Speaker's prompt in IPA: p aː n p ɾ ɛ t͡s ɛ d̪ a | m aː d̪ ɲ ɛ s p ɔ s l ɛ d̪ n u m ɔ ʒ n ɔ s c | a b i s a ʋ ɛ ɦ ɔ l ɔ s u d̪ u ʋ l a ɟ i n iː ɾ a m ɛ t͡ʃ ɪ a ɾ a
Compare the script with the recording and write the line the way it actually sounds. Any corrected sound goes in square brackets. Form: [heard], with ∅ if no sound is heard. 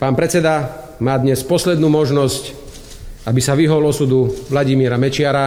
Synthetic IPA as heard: p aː n p ɾ ɛ t͡s ɛ d̪ a | m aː d̪ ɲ ɛ s p ɔ s l ɛ d̪ n [uː] m ɔ ʒ n ɔ s c | a b i s a ʋ [i] ɦ ɔ l ɔ s u d̪ u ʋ l a ɟ i [m] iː ɾ a m ɛ t͡ʃ ɪ a ɾ a